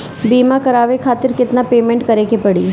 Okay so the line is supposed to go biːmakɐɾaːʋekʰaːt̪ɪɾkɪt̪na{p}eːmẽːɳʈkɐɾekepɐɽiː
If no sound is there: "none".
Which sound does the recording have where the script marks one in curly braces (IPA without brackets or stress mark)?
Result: p